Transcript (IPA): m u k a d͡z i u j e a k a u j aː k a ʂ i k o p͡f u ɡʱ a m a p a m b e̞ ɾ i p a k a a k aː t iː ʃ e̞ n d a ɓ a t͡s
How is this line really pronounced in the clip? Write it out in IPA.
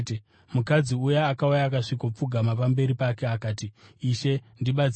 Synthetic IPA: m u k a d͡z i u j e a k a u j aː k a ʂ i k o p͡f u ɡʱ a m a p a m b e̞ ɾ i p a k e a k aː t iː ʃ e̞ n d i ɓ a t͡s